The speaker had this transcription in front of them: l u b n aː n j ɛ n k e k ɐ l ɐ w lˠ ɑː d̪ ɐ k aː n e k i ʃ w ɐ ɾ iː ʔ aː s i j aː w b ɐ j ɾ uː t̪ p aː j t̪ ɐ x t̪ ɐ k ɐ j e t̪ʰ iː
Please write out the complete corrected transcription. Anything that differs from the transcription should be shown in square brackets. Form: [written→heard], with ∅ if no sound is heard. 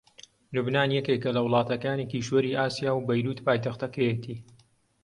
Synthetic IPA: l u b n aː n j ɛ [n→∅] k e k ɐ l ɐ w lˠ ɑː [d̪→t̪] ɐ k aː n e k i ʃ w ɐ ɾ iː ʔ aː s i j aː w b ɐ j ɾ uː t̪ p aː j t̪ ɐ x t̪ ɐ k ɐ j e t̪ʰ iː